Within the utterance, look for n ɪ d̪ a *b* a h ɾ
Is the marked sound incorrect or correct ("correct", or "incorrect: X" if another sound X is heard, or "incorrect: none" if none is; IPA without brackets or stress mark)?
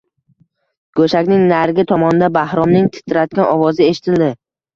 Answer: correct